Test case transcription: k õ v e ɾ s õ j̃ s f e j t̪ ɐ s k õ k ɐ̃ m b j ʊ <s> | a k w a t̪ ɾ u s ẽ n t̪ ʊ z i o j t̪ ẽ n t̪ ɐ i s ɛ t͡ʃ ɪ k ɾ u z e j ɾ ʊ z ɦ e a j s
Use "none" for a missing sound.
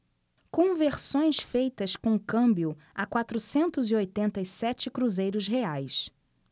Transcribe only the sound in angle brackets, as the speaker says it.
none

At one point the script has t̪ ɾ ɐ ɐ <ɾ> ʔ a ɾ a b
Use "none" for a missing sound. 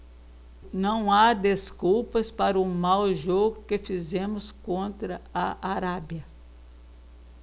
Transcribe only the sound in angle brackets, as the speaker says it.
none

